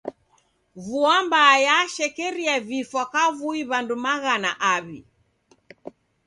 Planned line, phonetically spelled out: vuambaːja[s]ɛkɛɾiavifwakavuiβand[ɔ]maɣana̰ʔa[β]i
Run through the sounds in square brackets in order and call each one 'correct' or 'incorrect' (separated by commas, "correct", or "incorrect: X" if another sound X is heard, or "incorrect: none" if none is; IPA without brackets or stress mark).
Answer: incorrect: ʃ, incorrect: u, correct